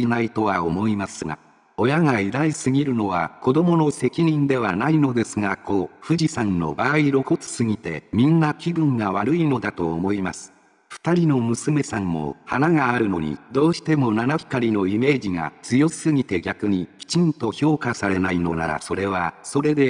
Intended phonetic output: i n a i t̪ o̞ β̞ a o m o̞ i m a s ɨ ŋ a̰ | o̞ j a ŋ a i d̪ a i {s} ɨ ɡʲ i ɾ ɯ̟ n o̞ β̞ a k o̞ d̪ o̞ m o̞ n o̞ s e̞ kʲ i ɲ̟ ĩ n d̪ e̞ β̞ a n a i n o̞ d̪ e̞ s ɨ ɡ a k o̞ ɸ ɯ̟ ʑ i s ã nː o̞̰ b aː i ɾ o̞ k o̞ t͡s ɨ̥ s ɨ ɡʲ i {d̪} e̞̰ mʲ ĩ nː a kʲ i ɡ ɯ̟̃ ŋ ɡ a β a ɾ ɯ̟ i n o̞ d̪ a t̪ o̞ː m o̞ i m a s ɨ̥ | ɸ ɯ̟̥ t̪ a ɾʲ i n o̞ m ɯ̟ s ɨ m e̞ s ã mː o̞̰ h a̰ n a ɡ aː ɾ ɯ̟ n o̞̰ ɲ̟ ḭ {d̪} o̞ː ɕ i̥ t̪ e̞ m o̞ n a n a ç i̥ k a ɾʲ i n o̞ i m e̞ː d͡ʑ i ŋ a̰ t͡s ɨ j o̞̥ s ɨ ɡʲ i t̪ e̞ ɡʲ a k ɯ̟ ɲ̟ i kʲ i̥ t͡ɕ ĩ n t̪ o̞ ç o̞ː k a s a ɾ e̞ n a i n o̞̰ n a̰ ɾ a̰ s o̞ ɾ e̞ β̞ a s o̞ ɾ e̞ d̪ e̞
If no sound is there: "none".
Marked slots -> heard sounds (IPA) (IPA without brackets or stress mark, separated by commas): s, t̪, d̪